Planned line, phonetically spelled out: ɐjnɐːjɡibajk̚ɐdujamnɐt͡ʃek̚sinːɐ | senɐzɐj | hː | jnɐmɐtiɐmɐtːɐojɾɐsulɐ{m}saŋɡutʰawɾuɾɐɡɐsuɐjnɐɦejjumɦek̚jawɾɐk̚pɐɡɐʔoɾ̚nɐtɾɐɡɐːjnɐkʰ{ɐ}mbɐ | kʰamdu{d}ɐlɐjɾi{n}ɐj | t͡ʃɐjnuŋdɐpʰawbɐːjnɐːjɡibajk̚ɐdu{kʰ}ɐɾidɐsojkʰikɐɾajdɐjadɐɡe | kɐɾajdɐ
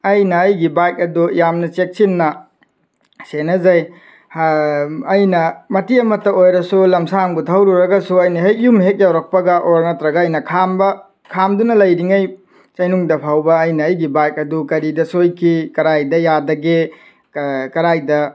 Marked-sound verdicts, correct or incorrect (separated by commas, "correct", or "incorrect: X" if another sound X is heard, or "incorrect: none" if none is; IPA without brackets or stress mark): correct, incorrect: a, incorrect: n, incorrect: ŋ, incorrect: k